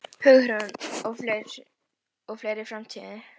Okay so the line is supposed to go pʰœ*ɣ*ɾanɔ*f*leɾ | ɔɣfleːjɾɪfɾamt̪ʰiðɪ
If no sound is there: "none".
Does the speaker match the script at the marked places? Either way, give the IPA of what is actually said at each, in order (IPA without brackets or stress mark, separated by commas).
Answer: ɣ, f